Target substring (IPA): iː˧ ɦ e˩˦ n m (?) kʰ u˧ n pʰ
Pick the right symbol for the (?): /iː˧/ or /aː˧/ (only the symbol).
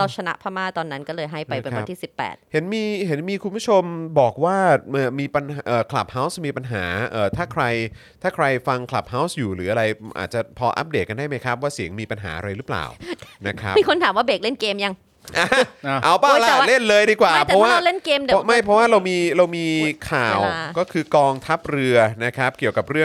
iː˧